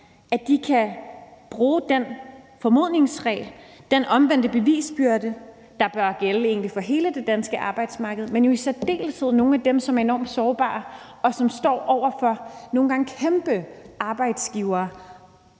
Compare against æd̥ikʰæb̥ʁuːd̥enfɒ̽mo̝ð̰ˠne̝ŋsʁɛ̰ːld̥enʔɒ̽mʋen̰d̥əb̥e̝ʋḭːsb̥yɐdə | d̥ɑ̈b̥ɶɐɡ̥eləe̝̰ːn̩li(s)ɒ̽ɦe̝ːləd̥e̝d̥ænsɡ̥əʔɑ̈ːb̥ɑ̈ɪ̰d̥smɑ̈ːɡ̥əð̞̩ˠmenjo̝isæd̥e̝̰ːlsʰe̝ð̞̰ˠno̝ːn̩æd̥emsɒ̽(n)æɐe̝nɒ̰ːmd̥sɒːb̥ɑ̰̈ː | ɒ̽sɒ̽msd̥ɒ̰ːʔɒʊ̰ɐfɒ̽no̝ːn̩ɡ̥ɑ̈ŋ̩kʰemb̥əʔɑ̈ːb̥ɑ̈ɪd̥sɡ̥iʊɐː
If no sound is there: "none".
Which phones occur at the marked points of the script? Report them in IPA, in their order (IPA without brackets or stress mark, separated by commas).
f, m